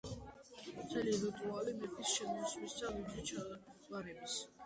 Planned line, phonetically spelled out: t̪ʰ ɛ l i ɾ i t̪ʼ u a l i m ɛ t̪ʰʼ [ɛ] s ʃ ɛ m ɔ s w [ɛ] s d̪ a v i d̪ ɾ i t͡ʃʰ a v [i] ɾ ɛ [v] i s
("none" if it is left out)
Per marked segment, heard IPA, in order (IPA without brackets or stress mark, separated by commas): i, i, a, b